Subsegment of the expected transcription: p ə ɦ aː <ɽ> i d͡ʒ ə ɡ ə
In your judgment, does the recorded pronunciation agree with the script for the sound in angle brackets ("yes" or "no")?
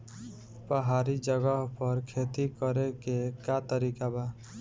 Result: no